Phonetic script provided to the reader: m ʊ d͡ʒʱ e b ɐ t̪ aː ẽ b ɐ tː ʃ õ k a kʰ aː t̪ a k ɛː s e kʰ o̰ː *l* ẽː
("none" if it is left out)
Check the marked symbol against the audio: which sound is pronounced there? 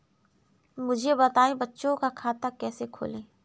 l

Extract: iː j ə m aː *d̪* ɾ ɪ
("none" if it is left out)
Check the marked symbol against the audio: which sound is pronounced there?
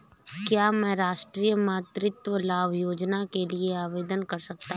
t̪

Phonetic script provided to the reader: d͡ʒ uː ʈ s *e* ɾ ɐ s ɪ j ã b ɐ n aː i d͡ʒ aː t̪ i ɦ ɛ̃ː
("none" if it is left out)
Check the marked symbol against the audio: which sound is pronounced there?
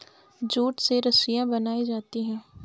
e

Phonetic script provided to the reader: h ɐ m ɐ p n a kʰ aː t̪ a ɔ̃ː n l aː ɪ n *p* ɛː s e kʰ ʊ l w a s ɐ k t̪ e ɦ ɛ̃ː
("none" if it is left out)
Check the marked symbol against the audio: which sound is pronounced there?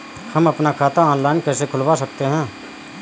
k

